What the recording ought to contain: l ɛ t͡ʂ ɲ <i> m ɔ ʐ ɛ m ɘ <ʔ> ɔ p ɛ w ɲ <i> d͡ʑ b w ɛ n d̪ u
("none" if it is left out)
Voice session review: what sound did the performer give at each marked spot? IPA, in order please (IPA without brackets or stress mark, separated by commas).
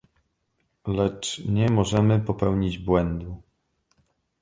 ɛ, p, i